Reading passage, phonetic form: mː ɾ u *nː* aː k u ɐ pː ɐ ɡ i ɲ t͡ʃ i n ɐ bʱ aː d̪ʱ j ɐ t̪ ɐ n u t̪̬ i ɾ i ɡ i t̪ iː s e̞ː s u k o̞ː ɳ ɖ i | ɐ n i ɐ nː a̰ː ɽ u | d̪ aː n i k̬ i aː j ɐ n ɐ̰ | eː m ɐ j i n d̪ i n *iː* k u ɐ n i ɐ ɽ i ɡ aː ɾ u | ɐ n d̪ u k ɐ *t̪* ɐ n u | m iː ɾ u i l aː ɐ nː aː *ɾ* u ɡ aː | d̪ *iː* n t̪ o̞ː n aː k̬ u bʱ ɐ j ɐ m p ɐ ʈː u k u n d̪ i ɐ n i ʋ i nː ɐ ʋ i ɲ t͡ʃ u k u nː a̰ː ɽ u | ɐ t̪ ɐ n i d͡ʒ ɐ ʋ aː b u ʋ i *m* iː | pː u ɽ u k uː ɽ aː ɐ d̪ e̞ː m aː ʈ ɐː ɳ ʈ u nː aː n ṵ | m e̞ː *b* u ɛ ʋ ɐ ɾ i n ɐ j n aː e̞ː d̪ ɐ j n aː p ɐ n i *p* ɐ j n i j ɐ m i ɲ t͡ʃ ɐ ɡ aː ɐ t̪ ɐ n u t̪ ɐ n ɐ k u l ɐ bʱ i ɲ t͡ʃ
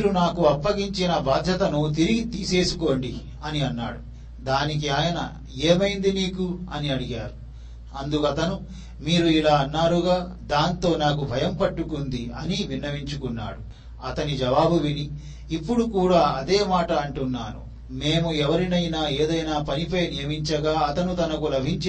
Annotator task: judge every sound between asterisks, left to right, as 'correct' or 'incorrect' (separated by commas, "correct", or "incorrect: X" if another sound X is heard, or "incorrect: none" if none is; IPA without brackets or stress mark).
incorrect: n, correct, correct, correct, incorrect: aː, incorrect: n, incorrect: m, correct